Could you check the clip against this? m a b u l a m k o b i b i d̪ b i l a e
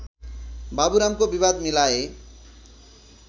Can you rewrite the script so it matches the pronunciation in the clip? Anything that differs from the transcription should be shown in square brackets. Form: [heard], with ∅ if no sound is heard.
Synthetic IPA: [b] a b u [ɾ] a m k o b i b [a] d̪ [m] i l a e